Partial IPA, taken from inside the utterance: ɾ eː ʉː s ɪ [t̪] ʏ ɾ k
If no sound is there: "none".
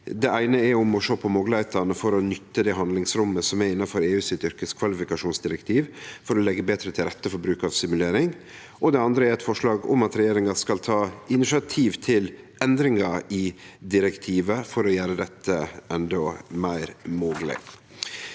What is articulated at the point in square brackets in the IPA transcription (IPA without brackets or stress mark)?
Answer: t̪